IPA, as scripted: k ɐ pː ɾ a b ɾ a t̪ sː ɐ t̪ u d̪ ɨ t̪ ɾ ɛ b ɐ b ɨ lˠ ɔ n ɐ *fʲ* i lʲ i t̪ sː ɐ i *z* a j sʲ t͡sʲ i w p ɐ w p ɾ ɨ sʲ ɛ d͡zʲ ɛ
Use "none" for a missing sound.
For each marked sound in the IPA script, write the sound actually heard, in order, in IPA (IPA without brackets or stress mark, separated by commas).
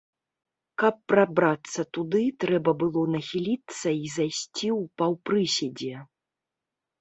xʲ, z